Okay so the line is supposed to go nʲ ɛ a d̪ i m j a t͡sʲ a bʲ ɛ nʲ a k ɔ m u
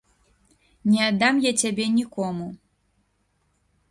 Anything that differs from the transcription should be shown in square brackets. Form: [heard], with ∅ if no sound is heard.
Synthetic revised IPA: nʲ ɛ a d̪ [a] m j a t͡sʲ a bʲ ɛ nʲ [i] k ɔ m u

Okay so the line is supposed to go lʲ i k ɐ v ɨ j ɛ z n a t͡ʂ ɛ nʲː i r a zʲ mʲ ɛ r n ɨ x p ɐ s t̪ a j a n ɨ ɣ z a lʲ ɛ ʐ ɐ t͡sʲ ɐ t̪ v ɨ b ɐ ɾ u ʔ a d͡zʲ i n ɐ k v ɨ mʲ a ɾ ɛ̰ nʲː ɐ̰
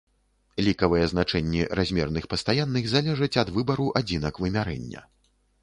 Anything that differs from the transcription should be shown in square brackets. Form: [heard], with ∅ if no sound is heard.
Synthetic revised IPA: lʲ i k ɐ v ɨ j ɛ z n a t͡ʂ ɛ nʲː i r a zʲ mʲ ɛ r n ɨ x p ɐ s t̪ a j a [nː] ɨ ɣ z a lʲ ɛ ʐ ɐ t͡sʲ ɐ [d̪] v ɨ b ɐ ɾ u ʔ a d͡zʲ i n ɐ k v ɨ mʲ a ɾ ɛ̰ nʲː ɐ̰

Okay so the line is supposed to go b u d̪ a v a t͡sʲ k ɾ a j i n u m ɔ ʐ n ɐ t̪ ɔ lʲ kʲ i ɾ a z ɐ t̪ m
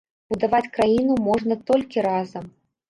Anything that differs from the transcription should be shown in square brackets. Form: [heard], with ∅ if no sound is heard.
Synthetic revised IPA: b u d̪ a v a t͡sʲ k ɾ a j i n u m ɔ ʐ n ɐ t̪ ɔ lʲ kʲ i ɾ a z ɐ [∅] m

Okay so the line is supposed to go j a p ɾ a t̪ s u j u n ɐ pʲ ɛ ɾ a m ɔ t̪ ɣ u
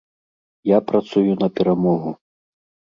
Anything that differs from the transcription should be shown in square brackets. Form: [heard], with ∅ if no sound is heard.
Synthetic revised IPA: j a p ɾ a t̪ s u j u n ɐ pʲ ɛ ɾ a m ɔ [∅] ɣ u

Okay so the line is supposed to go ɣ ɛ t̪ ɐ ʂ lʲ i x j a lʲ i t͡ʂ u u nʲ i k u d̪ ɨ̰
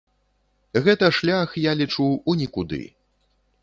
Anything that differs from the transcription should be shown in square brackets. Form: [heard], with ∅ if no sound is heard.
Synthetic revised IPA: ɣ ɛ t̪ ɐ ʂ lʲ [a] x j a lʲ i t͡ʂ u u nʲ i k u d̪ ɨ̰

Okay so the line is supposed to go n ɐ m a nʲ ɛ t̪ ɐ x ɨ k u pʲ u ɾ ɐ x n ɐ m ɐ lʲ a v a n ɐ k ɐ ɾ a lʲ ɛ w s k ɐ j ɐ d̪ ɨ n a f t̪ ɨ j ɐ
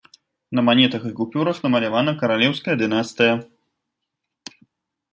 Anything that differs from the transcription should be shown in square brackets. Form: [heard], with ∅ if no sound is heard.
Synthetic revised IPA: n ɐ m a nʲ ɛ t̪ ɐ x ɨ k u pʲ u ɾ ɐ x n ɐ m ɐ lʲ a v a n ɐ k ɐ ɾ a lʲ ɛ w s k ɐ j ɐ d̪ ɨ n a [s] t̪ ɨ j ɐ

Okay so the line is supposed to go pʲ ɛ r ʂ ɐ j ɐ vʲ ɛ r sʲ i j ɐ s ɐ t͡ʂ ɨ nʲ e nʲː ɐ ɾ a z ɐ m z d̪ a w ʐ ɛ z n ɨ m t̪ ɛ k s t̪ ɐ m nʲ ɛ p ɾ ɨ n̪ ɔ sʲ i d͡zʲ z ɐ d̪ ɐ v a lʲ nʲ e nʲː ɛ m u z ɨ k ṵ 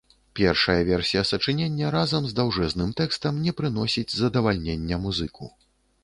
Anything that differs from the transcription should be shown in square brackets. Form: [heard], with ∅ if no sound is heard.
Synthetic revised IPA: pʲ ɛ r ʂ ɐ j ɐ vʲ ɛ r sʲ i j ɐ s ɐ t͡ʂ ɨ nʲ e nʲː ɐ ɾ a z ɐ m z d̪ a w ʐ ɛ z n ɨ m t̪ ɛ k s t̪ ɐ m nʲ ɛ p ɾ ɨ n̪ ɔ sʲ i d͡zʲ z ɐ d̪ ɐ v a lʲ nʲ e nʲː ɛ m u z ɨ k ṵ

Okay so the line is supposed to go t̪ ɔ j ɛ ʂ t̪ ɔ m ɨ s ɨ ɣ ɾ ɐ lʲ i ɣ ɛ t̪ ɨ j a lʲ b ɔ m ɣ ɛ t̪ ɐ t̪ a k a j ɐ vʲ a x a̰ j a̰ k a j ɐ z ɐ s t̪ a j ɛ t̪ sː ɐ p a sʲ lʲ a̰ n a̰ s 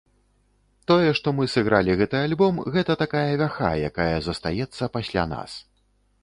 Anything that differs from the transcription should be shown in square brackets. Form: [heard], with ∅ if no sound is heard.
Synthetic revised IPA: t̪ ɔ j ɛ ʂ t̪ ɔ m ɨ s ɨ ɣ ɾ [a] lʲ i ɣ ɛ t̪ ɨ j a lʲ b ɔ m ɣ ɛ t̪ ɐ t̪ a k a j ɐ vʲ a x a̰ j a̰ k a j ɐ z ɐ s t̪ a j ɛ t̪ sː ɐ p a sʲ lʲ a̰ n a̰ s

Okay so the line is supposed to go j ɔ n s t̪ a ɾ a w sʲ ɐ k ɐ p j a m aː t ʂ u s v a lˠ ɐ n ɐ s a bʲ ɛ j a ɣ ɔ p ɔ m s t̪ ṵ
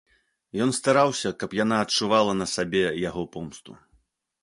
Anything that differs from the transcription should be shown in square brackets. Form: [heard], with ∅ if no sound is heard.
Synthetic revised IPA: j ɔ n s t̪ a ɾ a w sʲ ɐ k ɐ p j a [n] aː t [t͡ʂ] u [∅] v a lˠ ɐ n ɐ s a bʲ ɛ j a ɣ ɔ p ɔ m s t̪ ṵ

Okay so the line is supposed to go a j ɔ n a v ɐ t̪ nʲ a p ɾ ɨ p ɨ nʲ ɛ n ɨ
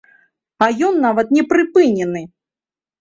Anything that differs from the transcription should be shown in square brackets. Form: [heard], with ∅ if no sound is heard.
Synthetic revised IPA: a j ɔ [nː] a v ɐ t̪ nʲ [ɛ] p ɾ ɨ p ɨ nʲ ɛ n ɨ

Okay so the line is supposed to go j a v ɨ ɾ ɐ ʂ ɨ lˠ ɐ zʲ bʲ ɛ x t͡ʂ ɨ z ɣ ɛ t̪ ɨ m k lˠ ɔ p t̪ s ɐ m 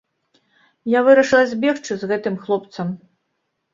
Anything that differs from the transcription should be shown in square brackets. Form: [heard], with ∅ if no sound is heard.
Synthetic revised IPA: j a v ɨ ɾ ɐ ʂ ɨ lˠ ɐ zʲ bʲ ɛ x t͡ʂ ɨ z ɣ ɛ t̪ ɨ m [x] lˠ ɔ p t̪ s ɐ m

